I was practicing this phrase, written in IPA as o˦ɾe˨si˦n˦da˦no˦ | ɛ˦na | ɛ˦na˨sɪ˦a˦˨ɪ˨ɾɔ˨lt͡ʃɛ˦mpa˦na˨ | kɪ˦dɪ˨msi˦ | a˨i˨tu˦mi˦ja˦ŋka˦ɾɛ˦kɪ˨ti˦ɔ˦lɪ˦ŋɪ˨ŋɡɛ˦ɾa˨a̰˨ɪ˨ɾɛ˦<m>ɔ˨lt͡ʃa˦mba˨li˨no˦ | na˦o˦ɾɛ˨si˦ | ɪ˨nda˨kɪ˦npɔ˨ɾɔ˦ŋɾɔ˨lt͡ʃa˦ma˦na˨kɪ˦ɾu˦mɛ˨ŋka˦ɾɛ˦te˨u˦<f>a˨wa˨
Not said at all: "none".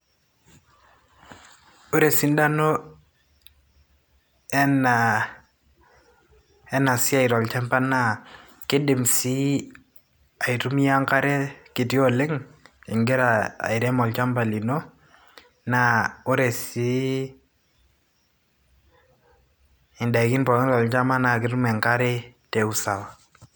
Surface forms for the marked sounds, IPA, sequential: m, s

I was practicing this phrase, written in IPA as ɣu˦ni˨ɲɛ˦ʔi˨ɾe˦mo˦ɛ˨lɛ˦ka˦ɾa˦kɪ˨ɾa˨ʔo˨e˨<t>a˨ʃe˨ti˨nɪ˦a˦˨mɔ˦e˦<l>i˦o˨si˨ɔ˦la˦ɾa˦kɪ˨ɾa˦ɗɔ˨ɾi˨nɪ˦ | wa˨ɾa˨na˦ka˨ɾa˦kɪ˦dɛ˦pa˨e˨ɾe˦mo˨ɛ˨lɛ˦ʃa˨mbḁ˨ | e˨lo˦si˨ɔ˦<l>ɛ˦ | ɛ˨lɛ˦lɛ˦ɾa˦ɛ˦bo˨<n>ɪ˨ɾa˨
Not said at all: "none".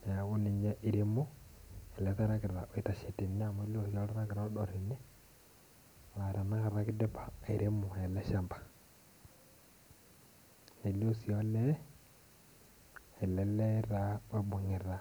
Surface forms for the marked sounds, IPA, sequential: t, l, l, ŋ

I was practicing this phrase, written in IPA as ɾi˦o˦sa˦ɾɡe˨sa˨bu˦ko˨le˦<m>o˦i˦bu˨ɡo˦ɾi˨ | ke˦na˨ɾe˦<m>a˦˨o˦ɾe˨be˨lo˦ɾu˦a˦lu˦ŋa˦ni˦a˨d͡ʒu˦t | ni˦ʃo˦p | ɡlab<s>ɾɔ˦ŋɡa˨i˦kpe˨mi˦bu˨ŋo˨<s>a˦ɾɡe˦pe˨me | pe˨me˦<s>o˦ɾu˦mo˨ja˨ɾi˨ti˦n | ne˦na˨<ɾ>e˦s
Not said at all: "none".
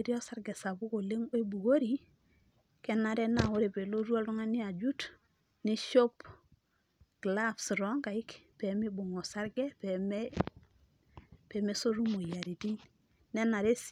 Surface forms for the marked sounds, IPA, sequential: ŋ, n, s, s, s, ɾ

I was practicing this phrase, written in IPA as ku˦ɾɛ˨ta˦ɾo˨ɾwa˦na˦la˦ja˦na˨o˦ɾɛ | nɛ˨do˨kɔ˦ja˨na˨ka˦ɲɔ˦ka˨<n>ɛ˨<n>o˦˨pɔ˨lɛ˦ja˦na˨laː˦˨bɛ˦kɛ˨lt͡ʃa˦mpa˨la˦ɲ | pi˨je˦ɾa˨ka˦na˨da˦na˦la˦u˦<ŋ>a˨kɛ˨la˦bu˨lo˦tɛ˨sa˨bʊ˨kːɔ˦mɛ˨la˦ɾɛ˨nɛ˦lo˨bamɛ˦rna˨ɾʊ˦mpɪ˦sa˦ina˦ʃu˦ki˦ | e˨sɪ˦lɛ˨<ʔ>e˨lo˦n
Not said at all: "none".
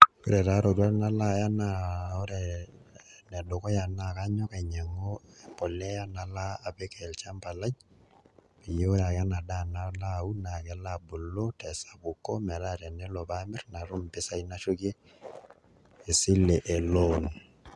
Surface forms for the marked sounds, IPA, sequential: ɲ, ŋ, n, ʔ

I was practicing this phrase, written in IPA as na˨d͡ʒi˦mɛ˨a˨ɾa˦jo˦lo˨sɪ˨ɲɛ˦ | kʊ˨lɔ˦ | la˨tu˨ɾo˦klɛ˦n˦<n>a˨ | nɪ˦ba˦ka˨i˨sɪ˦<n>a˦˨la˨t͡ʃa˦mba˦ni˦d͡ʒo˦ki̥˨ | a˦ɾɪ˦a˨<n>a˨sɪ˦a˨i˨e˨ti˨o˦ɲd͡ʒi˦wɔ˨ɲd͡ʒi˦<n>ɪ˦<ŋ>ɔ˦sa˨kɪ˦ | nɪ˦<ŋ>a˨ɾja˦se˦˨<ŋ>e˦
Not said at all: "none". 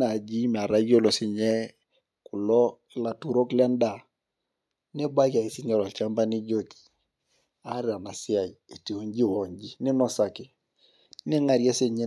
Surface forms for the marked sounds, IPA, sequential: d, ɲ, n, n, n, ŋ, ɲ

